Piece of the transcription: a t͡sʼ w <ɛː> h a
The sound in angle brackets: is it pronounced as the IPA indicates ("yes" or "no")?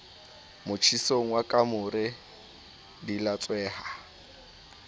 yes